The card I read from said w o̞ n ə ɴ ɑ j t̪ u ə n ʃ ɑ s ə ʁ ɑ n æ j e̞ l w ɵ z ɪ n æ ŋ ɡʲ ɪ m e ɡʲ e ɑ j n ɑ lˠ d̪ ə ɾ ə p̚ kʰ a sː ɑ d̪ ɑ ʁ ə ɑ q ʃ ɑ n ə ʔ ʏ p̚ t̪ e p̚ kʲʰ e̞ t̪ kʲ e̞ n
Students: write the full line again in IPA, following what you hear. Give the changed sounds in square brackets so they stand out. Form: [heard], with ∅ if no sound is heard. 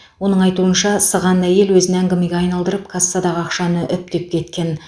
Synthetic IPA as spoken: w o̞ n ə ɴ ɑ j t̪ u ə n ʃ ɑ s ə ʁ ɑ n æ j e̞ l w ɵ z ɪ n æ ŋ ɡʲ ɪ m e ɡʲ e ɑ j n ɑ lˠ d̪ ə ɾ ə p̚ kʰ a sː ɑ d̪ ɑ ʁ ə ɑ q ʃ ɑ n ə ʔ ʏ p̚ t̪ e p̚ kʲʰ e̞ t̪ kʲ e̞ n